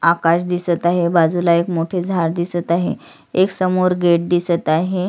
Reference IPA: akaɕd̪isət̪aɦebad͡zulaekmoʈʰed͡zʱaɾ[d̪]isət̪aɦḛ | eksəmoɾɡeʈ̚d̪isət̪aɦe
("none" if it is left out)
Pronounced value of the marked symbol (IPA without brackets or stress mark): d̪